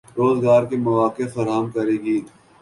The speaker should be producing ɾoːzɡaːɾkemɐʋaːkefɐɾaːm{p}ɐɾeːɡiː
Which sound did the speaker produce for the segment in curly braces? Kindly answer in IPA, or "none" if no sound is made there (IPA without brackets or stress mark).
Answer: k